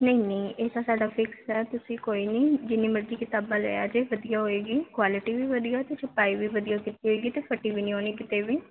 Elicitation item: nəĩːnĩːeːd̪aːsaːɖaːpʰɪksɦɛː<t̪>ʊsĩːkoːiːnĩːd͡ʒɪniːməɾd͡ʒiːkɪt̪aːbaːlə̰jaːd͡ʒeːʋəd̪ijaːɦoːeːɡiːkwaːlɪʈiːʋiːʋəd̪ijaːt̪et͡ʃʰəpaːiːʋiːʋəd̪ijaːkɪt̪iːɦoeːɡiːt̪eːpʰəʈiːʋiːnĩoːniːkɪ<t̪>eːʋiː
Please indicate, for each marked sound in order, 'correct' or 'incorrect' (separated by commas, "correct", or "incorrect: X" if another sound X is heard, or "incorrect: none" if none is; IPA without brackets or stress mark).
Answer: correct, correct